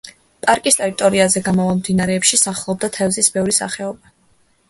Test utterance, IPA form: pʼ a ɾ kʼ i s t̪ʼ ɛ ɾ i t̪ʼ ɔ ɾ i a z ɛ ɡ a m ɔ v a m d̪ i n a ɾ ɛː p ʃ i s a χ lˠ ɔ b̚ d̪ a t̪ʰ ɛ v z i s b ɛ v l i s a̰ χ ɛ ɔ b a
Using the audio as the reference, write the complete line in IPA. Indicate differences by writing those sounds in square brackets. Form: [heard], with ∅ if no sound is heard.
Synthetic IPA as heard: pʼ a ɾ kʼ i s t̪ʼ ɛ ɾ i t̪ʼ ɔ ɾ i a z ɛ ɡ a m ɔ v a m d̪ i n a ɾ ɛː p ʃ i s a χ lˠ ɔ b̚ d̪ a t̪ʰ ɛ v z i s b ɛ v [ɾ] i s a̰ χ ɛ ɔ b a

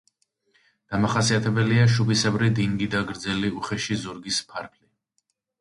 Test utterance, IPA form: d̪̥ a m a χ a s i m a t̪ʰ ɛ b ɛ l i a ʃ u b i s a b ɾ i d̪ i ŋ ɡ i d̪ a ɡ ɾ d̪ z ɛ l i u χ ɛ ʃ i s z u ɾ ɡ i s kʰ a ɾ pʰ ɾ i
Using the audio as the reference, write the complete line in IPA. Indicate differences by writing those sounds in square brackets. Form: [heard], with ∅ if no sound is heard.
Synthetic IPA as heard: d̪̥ a m a χ a s i [∅] a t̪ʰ ɛ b ɛ l i a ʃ u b i s [ɛ] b ɾ i d̪ i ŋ ɡ i d̪ a ɡ ɾ d̪ z ɛ l i u χ ɛ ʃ i [∅] z u ɾ ɡ i s [pʰ] a ɾ pʰ [l] i

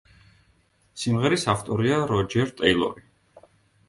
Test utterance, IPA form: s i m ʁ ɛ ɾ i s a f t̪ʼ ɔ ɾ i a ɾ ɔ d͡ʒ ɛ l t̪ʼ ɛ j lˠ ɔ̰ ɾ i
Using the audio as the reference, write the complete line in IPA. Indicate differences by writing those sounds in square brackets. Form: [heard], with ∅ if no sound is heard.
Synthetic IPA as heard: s i m ʁ ɛ ɾ i s a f t̪ʼ ɔ ɾ i a ɾ ɔ d͡ʒ ɛ [ɾ] t̪ʼ ɛ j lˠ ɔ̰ ɾ i

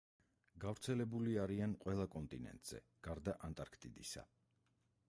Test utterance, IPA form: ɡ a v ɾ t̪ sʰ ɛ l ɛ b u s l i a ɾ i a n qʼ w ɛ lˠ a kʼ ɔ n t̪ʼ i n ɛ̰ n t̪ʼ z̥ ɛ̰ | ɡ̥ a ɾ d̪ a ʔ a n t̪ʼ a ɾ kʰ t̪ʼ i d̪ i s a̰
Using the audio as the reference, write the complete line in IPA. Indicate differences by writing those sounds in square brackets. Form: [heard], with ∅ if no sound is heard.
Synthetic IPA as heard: ɡ a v ɾ t̪ sʰ ɛ l ɛ b u [∅] l i a ɾ i a n qʼ w ɛ lˠ a kʼ ɔ n t̪ʼ i n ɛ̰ n t̪ʼ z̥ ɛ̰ | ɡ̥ a ɾ d̪ a ʔ a n t̪ʼ a ɾ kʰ t̪ʼ i d̪ i s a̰

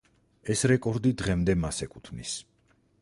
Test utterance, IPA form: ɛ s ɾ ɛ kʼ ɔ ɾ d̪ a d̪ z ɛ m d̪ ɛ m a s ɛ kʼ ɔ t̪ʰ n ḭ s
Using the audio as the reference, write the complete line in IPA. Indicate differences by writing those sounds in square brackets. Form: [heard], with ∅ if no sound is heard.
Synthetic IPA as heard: ɛ s ɾ ɛ kʼ ɔ ɾ d̪ [i] d̪ [ʁ] ɛ m d̪ ɛ m a s ɛ kʼ [u] t̪ʰ n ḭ s

